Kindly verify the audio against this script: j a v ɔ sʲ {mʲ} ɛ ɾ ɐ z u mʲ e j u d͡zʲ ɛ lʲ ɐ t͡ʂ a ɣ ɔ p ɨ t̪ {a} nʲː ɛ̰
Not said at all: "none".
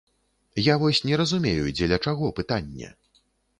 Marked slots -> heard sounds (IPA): nʲ, a

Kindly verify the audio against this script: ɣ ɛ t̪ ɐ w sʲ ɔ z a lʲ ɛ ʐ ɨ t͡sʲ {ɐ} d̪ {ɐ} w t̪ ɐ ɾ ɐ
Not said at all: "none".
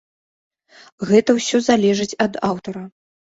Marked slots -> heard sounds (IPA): ɐ, a

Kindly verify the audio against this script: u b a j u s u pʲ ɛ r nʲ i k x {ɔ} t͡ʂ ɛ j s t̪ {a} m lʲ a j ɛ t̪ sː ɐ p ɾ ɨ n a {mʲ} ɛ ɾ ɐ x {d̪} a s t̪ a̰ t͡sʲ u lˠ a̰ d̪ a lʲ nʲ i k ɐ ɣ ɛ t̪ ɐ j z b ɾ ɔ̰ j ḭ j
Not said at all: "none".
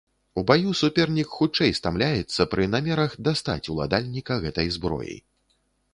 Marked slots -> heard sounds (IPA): u, a, mʲ, d̪

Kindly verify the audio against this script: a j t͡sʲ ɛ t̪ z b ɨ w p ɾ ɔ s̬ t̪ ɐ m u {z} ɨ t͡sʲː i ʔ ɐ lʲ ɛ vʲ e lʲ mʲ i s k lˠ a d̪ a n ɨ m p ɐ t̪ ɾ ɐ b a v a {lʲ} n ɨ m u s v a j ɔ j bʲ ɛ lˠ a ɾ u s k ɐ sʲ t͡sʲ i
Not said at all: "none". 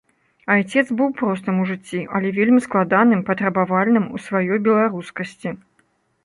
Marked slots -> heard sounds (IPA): ʐ, lʲ

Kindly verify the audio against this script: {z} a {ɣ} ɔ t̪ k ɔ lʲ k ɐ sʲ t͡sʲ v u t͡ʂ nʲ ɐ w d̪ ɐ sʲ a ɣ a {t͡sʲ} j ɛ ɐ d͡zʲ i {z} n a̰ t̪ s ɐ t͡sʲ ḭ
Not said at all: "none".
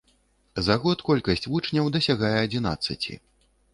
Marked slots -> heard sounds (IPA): z, ɣ, none, none

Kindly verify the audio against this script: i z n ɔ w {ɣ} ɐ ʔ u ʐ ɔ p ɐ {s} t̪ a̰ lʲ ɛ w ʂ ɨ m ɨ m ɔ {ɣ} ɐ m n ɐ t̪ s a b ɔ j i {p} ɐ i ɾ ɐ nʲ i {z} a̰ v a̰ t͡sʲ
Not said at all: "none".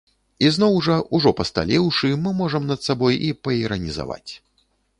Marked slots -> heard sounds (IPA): ʐ, s, ʐ, p, z

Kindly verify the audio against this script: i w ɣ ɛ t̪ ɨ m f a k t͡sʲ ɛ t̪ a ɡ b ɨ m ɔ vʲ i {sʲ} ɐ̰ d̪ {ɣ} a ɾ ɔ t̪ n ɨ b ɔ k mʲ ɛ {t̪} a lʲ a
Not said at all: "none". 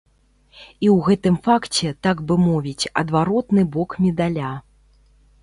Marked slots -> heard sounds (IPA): t͡sʲ, v, d̪

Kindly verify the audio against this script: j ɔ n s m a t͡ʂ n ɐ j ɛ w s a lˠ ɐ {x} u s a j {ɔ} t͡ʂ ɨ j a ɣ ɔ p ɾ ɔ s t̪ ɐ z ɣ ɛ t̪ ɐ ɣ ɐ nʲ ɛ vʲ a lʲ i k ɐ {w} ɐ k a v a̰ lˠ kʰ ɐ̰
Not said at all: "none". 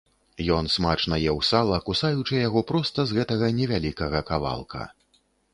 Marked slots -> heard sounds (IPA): k, u, ɣ

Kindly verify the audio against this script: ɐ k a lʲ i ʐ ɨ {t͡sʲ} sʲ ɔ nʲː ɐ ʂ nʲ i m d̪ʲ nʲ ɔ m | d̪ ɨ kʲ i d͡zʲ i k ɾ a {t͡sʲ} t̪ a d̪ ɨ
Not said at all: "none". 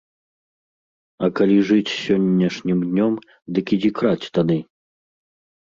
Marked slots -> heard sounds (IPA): t͡sʲ, t͡sʲ

